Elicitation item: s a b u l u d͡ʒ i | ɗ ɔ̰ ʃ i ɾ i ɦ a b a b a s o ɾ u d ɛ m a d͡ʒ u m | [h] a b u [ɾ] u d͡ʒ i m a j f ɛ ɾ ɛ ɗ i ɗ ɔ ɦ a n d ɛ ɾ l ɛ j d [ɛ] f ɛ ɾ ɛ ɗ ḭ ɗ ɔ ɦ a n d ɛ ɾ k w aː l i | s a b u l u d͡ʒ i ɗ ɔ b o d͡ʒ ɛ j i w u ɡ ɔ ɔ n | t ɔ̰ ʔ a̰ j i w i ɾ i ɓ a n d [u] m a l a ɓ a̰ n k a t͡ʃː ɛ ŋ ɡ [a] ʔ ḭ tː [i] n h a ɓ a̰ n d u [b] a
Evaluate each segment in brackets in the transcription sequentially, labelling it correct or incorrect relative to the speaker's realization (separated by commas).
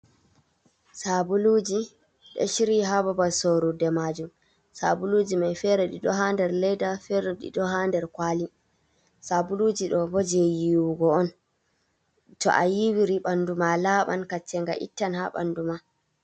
incorrect, incorrect, incorrect, correct, correct, incorrect, incorrect